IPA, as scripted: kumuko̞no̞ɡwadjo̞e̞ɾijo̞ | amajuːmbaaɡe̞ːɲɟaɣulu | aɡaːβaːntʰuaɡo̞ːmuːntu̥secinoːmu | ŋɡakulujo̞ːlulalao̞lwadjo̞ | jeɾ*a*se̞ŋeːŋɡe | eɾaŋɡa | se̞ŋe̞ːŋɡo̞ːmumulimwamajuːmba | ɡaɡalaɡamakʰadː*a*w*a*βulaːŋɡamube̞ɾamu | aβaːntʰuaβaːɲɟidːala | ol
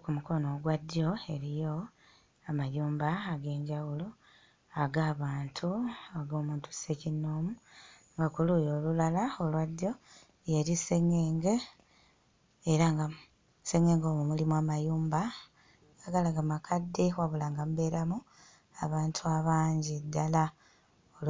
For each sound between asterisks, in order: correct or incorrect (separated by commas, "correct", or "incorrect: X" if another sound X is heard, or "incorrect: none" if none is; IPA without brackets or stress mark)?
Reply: incorrect: i, incorrect: e, correct